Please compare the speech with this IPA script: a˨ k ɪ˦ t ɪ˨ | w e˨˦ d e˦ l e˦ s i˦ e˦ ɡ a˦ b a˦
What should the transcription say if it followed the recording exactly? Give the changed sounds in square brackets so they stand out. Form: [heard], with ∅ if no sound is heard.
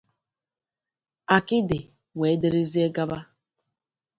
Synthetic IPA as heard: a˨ k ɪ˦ [d] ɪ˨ | w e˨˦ d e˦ [ɾ] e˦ [z] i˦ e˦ ɡ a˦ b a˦